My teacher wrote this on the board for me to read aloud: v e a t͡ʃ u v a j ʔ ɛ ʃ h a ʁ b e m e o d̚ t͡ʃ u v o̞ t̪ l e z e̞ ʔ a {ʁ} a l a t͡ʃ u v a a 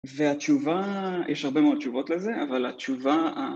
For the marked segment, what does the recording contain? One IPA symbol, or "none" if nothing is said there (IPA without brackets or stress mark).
v